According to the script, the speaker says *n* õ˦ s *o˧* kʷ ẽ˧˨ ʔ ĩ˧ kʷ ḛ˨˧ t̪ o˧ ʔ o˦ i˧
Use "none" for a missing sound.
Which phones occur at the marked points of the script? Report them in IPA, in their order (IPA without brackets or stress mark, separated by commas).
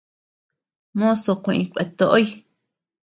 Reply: m, o˧